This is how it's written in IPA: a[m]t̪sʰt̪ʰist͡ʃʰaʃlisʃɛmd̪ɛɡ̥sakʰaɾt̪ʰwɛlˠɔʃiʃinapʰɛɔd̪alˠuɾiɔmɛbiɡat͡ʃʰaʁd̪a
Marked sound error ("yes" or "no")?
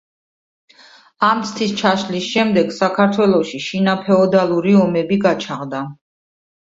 no